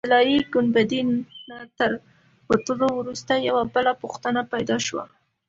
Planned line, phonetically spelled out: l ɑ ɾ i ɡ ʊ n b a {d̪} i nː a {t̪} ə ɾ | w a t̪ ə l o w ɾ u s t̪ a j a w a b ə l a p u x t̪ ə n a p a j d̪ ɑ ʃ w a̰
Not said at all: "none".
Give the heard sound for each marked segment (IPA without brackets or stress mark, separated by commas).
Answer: d̪, t̪